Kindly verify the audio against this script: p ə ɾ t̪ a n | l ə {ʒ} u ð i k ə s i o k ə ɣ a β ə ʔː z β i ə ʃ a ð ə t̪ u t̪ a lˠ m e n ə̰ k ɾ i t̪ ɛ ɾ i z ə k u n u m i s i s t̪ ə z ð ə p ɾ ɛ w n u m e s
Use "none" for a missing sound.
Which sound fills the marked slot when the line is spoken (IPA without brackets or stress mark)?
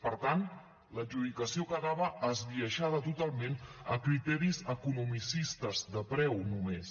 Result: ʒ